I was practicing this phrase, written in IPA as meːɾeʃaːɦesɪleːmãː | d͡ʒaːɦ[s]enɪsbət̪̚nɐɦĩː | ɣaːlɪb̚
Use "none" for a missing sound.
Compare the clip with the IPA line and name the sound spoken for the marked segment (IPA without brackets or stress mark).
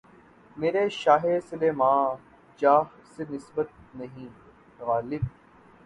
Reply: s